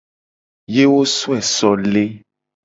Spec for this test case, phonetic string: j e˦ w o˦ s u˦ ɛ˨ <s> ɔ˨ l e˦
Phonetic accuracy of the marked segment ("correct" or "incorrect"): correct